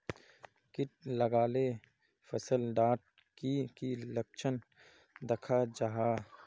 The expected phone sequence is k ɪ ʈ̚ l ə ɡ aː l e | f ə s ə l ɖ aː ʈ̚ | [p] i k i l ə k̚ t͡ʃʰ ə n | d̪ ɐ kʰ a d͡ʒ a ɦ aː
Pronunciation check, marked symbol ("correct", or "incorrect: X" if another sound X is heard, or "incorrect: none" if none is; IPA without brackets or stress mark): incorrect: k